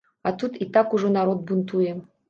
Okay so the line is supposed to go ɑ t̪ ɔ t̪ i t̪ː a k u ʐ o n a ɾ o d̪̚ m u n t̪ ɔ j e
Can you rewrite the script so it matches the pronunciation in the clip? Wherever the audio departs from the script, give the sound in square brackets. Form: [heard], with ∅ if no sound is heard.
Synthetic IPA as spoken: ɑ t̪ [u] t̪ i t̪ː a k u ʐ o n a ɾ o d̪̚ [b] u n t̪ [u] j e